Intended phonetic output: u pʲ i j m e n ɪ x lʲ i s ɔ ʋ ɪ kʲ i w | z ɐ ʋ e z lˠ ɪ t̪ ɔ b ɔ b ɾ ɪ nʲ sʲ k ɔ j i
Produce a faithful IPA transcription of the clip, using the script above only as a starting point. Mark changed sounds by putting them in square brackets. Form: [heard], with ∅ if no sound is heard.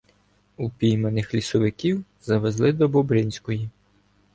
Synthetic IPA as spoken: u pʲ i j m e n ɪ x lʲ i s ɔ ʋ ɪ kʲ i w | z ɐ ʋ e z lˠ ɪ [d̪] ɔ b ɔ b ɾ ɪ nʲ sʲ k ɔ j i